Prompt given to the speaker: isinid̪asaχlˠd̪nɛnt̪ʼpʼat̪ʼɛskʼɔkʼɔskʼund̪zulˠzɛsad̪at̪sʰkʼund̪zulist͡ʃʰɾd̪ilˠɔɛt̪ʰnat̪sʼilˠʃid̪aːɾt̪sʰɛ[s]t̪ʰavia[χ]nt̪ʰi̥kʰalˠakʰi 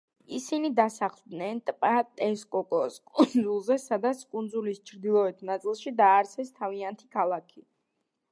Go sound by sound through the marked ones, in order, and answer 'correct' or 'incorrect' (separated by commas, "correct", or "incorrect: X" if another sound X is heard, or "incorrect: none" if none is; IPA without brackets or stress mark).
correct, incorrect: none